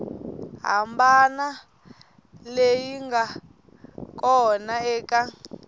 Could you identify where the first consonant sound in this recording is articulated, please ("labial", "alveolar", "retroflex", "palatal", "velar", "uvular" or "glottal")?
glottal